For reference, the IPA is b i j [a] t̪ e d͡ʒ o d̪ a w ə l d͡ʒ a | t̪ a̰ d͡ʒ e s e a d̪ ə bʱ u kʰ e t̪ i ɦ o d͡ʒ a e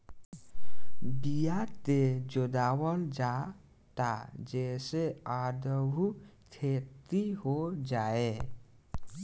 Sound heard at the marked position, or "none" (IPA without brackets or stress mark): a